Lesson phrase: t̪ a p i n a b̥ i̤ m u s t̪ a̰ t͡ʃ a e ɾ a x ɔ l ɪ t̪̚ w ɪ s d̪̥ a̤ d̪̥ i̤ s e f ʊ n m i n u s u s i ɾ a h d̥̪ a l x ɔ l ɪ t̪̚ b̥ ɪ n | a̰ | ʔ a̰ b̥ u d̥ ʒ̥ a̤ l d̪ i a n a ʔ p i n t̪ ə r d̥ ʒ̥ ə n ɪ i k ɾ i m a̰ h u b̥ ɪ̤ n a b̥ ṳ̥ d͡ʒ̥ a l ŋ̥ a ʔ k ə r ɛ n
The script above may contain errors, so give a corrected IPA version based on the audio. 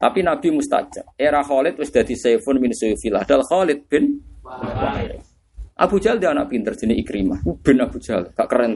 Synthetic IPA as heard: t̪ a p i n a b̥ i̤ m u s t̪ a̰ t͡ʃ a e ɾ a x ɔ l ɪ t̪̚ w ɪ s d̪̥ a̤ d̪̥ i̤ s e f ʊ n m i n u s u f i l a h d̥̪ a l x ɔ l ɪ t̪̚ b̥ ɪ n | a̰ | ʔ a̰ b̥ u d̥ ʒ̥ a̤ l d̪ i a n a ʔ p i n t̪ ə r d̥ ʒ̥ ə n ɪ i k ɾ i m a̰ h u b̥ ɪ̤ n a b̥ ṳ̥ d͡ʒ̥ a l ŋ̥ a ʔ k ə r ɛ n